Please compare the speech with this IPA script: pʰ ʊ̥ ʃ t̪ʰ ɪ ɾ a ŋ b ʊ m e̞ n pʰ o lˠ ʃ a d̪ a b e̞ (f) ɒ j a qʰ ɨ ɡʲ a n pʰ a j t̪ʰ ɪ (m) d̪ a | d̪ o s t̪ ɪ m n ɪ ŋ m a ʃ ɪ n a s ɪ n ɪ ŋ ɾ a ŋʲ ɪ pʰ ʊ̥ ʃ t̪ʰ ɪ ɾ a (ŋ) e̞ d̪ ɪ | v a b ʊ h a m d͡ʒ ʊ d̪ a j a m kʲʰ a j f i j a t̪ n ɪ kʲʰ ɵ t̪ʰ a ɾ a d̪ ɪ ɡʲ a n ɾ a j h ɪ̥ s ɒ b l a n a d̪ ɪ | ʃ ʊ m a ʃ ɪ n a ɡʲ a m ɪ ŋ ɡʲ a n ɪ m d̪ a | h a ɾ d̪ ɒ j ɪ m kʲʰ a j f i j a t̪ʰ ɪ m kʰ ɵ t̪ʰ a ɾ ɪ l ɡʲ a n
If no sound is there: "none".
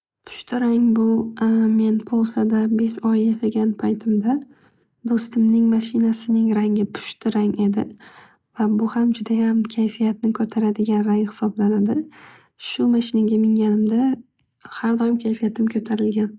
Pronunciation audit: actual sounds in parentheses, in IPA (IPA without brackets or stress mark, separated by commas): ʃ, m, ŋ